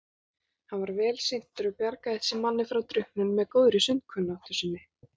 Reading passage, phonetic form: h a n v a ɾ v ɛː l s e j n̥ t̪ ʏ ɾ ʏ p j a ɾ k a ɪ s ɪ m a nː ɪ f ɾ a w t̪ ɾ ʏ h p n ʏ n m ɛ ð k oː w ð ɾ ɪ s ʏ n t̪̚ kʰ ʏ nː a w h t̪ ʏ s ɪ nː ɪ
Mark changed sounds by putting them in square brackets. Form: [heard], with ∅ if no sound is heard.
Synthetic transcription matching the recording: h a n v a ɾ v ɛː l s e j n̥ t̪ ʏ ɾ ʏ p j a ɾ k a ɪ s ɪ m a nː ɪ f ɾ a w t̪ ɾ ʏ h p n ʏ n m ɛ ð k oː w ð ɾ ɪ s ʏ n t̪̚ kʰ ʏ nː a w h t̪ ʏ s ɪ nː ɪ